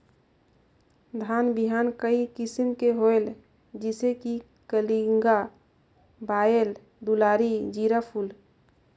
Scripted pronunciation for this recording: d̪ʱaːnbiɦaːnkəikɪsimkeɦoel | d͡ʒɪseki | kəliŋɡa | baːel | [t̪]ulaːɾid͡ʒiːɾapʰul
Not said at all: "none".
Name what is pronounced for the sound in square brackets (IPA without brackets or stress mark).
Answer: d̪